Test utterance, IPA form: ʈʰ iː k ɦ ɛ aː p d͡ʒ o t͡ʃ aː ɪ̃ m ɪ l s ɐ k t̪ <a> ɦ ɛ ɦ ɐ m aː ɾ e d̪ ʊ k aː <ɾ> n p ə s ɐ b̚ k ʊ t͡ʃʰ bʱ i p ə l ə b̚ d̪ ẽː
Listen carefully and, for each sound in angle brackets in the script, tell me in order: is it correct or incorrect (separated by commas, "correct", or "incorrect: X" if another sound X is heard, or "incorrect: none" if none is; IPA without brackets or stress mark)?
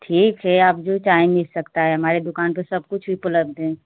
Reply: correct, incorrect: none